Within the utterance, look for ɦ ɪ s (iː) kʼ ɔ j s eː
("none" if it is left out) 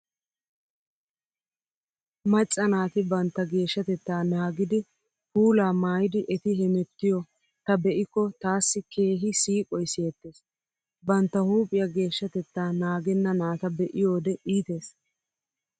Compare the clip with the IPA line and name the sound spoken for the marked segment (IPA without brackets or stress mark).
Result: iː